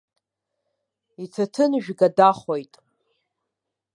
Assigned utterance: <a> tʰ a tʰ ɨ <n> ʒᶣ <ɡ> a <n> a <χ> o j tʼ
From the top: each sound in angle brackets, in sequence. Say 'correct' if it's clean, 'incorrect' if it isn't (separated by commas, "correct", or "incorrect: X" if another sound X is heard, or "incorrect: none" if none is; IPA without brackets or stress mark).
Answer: incorrect: i, correct, correct, incorrect: d, correct